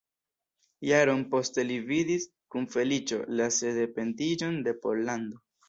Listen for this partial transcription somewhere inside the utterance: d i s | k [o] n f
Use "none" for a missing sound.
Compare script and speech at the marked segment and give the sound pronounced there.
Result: u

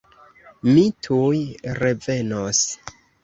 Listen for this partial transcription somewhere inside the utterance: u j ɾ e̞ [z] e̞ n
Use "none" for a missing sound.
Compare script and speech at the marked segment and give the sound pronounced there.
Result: v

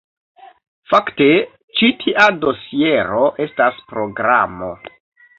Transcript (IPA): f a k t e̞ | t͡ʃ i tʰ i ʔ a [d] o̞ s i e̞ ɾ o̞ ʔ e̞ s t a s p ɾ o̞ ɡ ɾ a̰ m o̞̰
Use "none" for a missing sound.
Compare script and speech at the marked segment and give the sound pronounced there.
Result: d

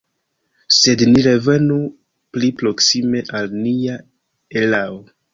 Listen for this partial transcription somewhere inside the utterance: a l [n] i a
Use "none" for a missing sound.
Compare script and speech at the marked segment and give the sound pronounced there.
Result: n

